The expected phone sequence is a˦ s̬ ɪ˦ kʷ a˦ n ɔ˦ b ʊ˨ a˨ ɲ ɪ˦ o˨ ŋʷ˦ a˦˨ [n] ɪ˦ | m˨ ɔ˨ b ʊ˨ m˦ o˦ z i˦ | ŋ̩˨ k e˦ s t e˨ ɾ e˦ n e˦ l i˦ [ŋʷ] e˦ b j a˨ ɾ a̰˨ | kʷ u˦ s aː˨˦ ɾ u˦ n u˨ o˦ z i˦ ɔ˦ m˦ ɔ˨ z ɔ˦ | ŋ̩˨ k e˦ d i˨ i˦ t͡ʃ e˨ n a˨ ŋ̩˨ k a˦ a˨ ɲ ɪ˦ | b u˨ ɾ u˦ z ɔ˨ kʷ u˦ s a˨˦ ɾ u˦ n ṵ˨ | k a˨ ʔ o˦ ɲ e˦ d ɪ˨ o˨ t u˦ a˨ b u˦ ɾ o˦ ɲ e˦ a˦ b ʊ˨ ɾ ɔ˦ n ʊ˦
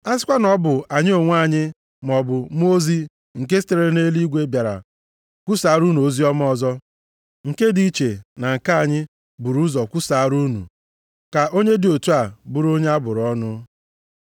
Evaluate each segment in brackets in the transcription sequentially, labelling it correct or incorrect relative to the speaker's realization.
incorrect: ɲ, incorrect: ɡʷ

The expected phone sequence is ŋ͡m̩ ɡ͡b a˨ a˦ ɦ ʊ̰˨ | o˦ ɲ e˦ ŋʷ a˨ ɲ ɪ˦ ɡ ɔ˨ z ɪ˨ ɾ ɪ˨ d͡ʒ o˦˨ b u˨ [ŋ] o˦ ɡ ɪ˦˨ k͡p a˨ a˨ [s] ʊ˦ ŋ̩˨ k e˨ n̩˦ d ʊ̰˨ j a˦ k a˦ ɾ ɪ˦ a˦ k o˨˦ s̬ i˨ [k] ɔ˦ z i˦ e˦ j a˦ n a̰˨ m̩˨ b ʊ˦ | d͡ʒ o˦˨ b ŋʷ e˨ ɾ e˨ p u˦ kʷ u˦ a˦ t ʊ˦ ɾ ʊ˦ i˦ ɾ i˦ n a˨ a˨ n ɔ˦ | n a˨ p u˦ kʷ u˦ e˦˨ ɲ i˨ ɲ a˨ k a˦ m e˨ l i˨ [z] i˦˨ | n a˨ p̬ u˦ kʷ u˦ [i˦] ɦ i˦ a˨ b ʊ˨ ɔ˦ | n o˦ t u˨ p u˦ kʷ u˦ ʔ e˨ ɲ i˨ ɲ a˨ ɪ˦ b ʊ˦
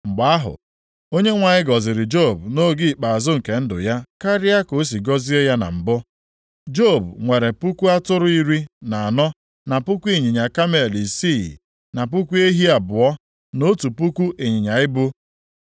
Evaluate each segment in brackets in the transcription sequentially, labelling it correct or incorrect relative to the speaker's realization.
incorrect: n, incorrect: z, incorrect: ɡ, incorrect: s, incorrect: e˦

